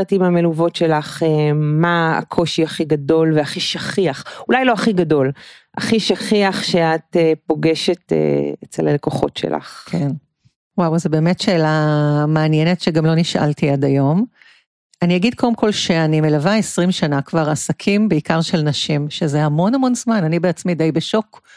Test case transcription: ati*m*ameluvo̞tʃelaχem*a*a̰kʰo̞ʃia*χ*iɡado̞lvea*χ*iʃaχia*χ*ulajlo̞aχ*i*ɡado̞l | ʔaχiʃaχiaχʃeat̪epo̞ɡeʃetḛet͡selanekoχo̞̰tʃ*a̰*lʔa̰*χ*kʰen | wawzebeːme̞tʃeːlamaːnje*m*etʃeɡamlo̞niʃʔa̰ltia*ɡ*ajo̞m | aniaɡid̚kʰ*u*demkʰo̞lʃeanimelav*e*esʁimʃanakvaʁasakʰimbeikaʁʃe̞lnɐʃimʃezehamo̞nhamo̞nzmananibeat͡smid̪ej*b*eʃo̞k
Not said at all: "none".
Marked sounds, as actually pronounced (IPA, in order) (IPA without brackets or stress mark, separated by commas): m, a, χ, χ, χ, i, ḛ, χ, n, d, o, a, b